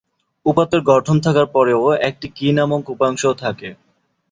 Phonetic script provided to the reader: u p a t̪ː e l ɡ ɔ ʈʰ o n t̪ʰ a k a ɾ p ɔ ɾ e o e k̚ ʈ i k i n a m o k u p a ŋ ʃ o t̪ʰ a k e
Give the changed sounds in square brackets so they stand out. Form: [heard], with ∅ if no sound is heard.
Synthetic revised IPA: u p a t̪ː e [ɾ] ɡ ɔ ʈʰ o n t̪ʰ a k a ɾ p ɔ ɾ e o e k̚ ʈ i k i n a m o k u p a ŋ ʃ o t̪ʰ a k e